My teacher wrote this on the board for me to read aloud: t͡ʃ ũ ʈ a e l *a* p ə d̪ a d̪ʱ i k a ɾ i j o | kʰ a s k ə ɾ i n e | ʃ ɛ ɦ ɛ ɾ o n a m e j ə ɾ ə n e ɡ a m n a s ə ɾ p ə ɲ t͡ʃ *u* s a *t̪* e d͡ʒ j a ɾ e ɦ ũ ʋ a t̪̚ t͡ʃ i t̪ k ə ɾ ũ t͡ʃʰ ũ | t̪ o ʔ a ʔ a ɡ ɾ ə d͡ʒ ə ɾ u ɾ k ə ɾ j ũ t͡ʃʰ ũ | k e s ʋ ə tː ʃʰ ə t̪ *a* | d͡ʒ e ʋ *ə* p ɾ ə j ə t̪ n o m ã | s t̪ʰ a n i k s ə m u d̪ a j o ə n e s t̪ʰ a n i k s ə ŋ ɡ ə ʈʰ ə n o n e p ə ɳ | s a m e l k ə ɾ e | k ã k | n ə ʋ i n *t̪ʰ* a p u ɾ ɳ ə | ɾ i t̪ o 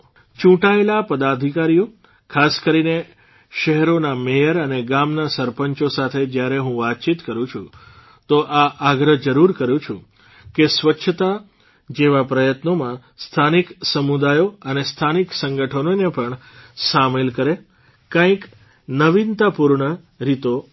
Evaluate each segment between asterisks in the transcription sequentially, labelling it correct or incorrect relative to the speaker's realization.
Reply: correct, incorrect, incorrect, correct, incorrect, incorrect

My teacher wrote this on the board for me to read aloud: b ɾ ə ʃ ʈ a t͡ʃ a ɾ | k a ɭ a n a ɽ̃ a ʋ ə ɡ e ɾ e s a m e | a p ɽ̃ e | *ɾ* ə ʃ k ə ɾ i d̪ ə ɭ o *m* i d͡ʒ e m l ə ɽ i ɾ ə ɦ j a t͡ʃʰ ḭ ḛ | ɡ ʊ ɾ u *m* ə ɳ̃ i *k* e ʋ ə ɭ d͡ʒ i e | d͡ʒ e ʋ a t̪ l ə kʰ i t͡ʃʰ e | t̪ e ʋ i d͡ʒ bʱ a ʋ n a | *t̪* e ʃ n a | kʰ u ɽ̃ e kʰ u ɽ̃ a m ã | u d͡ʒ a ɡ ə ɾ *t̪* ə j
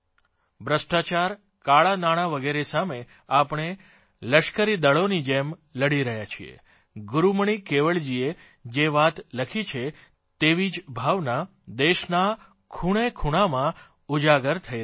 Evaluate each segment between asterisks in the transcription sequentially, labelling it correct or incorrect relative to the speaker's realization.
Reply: incorrect, incorrect, correct, correct, incorrect, incorrect

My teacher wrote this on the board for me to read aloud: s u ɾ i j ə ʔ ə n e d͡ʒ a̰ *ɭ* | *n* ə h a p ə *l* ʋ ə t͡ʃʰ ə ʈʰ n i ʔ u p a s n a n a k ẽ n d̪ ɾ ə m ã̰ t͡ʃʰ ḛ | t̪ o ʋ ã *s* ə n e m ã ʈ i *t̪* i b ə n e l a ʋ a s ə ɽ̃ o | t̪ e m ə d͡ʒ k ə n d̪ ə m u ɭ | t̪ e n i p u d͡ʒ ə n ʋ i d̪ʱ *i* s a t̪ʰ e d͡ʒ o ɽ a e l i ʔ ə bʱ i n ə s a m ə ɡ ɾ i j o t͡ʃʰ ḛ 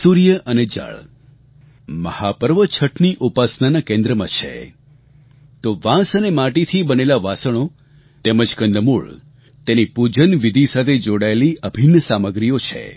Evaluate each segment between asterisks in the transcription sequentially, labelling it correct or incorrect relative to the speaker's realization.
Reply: correct, incorrect, incorrect, correct, incorrect, correct

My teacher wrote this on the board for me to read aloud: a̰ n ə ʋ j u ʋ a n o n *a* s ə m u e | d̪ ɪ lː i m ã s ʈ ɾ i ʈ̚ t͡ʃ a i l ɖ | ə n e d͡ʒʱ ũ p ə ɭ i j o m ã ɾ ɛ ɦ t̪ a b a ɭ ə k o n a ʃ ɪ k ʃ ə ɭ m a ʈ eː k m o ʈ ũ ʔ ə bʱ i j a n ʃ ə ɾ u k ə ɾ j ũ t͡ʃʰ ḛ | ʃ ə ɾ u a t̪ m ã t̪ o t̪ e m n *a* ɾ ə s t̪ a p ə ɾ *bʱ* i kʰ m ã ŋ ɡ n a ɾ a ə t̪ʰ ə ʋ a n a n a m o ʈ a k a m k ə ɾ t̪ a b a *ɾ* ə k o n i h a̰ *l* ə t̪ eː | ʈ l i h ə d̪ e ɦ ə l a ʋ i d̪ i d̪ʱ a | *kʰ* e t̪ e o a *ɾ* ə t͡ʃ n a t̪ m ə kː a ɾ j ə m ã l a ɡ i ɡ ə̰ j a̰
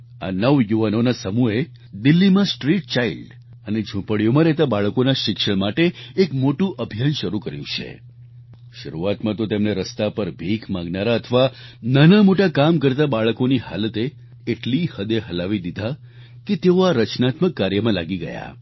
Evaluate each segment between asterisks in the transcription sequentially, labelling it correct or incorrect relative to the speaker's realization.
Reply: correct, incorrect, correct, incorrect, correct, incorrect, correct

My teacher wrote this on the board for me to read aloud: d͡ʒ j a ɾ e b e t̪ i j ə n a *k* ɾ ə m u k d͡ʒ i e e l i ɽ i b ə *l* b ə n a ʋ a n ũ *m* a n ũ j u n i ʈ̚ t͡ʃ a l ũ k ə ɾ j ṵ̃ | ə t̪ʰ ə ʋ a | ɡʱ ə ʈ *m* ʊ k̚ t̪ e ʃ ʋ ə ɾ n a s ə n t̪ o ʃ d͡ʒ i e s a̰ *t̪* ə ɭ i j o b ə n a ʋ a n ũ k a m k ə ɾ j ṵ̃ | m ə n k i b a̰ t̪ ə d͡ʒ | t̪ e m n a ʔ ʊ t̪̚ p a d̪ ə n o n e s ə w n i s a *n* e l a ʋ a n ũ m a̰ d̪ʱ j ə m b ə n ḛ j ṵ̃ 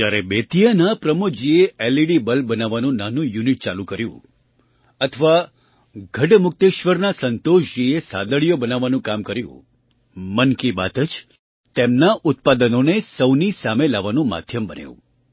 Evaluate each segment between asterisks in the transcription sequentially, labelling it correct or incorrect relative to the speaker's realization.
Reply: incorrect, correct, incorrect, correct, incorrect, incorrect

